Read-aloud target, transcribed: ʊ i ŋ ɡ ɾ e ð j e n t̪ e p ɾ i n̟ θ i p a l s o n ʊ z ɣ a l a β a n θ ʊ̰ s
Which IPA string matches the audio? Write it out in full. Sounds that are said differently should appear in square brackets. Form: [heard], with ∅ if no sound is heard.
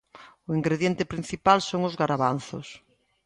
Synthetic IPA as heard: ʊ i ŋ ɡ ɾ e ð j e n t̪ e p ɾ i n̟ θ i p a l s o [ŋ] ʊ z ɣ a [ɾ] a β a n θ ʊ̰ s